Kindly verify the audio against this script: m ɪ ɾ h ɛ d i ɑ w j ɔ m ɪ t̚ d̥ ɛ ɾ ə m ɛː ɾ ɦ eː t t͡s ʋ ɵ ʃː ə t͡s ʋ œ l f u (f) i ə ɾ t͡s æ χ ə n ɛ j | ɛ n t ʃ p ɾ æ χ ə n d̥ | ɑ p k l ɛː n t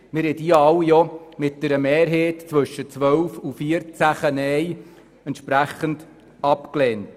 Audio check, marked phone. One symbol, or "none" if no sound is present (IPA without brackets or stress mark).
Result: f